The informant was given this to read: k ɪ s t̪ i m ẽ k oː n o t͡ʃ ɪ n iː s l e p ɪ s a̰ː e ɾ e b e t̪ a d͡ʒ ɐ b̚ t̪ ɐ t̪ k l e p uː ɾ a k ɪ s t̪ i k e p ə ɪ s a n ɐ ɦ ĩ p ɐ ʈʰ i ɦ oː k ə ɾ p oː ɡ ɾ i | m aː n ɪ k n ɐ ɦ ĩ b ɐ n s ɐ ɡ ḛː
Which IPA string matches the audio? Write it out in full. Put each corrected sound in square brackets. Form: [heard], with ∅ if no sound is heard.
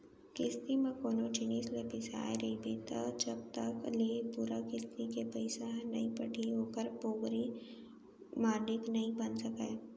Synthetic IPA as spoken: k ɪ s t̪ i m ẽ k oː n o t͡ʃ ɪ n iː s l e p ɪ s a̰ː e ɾ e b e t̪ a d͡ʒ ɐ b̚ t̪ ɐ [∅] k l e p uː ɾ a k ɪ s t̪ i k e p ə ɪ s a n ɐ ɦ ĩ p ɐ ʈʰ i ɦ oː k ə ɾ p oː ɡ ɾ i | m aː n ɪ k n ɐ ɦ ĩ b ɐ n s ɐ [k] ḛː